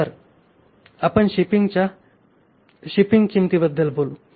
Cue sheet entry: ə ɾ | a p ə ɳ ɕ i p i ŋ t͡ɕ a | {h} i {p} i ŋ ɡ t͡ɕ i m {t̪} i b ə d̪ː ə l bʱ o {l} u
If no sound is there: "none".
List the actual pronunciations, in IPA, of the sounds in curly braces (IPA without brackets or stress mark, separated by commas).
ɕ, p, t̪, l